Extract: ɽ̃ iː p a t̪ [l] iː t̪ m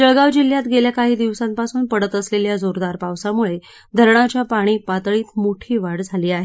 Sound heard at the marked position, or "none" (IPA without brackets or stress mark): ɭ